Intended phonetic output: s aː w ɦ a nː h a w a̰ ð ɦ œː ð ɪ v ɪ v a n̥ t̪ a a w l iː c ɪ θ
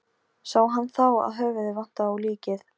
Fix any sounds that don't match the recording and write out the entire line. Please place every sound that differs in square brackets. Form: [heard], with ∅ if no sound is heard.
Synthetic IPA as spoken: s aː w ɦ a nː [θ] a w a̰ ð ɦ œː [v] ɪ [ð] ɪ v a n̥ t̪ a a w l iː c ɪ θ